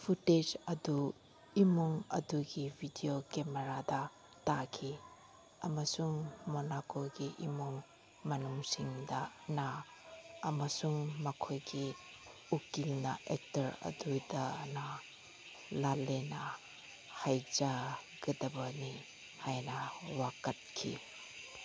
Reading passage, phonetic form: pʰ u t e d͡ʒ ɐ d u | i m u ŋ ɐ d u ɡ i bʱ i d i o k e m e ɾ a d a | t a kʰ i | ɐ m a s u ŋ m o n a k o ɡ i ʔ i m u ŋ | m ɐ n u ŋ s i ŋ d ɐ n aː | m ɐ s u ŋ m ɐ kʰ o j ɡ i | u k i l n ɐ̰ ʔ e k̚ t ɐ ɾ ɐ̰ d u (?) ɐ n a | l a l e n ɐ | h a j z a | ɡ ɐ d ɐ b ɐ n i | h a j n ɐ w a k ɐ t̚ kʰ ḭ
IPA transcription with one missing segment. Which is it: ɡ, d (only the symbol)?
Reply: d